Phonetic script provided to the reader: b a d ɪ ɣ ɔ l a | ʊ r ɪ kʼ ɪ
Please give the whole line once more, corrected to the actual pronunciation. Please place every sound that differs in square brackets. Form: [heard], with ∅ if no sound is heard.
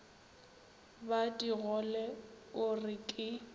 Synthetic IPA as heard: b a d [i] ɣ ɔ l [ɛ] | ʊ r ɪ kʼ ɪ